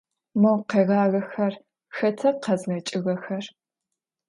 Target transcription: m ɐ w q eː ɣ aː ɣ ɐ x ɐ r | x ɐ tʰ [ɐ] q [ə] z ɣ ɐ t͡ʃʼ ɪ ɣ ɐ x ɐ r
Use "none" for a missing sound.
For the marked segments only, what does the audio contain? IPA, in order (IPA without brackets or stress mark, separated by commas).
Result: ɐ, ɐ